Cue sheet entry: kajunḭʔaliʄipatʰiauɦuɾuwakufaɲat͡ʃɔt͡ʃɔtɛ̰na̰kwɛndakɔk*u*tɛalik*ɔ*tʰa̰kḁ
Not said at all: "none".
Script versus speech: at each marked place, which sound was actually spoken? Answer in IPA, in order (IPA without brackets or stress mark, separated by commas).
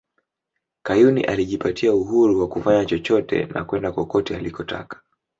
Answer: ɔ, ɔ